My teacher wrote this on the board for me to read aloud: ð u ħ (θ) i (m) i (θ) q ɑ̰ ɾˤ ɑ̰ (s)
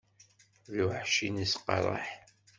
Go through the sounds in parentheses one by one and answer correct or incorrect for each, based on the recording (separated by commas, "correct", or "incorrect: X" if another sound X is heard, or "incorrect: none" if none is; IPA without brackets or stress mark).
incorrect: ʃ, incorrect: n, incorrect: s, incorrect: ħ